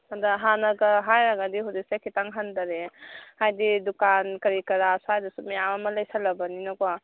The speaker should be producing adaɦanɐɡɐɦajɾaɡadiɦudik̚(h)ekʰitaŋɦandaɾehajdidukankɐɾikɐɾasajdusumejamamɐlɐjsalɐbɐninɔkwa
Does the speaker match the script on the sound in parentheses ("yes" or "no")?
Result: no